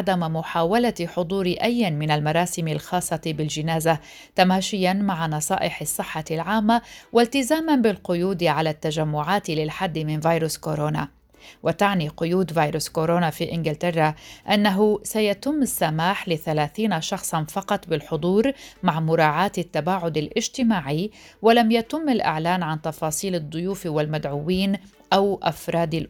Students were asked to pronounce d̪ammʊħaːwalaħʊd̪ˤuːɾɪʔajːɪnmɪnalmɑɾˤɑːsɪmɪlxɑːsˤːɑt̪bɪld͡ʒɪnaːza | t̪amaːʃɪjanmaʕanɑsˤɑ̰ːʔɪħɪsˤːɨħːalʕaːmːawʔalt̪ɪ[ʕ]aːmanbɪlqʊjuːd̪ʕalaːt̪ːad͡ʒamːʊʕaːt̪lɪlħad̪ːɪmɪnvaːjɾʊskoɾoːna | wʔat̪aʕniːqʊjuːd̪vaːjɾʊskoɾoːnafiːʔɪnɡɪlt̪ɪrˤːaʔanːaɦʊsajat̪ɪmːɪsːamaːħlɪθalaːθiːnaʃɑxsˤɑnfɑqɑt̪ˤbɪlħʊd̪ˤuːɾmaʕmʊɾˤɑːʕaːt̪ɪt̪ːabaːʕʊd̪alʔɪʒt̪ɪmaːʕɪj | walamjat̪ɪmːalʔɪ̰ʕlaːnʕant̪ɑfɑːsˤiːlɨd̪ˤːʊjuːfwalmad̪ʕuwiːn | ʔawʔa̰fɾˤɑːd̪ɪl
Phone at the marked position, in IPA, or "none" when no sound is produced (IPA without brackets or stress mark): z